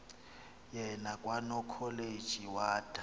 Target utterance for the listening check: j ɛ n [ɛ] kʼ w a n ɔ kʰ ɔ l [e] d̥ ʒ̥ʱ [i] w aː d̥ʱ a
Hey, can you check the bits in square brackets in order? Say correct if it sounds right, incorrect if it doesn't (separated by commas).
incorrect, correct, correct